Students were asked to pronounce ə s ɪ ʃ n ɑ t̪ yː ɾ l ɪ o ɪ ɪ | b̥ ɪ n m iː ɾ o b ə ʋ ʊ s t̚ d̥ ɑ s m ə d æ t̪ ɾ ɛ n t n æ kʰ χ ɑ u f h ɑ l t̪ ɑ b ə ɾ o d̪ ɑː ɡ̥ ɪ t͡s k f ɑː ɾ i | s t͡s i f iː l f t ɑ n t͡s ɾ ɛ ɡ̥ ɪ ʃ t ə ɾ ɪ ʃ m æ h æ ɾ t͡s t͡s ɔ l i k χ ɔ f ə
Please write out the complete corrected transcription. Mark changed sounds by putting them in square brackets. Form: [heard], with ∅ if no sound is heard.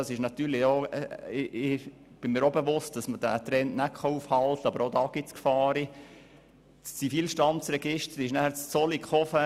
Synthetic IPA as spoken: [ɑ] s ɪ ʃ n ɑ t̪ yː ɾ l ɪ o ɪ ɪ | b̥ ɪ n m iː ɾ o b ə ʋ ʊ s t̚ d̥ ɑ s m ə d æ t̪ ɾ ɛ n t n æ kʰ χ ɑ u f h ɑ l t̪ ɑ b ə ɾ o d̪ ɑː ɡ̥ ɪ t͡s k f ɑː ɾ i | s t͡s i f iː l [ʃ] t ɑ n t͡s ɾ ɛ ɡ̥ ɪ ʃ t ə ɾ ɪ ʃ [n] æ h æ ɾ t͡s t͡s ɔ l i k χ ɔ f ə